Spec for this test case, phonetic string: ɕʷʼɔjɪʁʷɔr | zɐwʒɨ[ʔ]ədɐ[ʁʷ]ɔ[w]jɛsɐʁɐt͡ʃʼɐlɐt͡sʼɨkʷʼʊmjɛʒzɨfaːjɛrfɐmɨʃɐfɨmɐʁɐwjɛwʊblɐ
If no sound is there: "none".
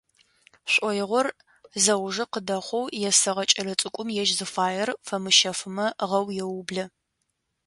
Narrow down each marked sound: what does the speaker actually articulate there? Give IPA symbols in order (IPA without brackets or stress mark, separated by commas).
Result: q, χʷ, w